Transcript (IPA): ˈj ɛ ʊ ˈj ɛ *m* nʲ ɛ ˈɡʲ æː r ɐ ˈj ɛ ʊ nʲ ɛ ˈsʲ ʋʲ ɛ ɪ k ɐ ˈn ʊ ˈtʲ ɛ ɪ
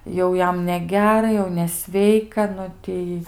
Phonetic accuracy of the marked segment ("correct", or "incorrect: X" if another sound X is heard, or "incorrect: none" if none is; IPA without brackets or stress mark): correct